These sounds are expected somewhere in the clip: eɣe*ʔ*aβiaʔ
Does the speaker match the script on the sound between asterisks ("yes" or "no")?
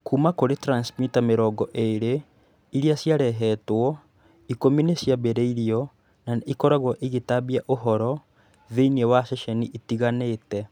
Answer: no